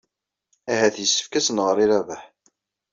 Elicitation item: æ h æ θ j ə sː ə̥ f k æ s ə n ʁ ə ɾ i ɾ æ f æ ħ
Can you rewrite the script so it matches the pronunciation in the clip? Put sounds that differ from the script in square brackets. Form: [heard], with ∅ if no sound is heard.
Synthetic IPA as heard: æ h æ θ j ə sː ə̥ f k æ s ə n ʁ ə ɾ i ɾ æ [v] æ ħ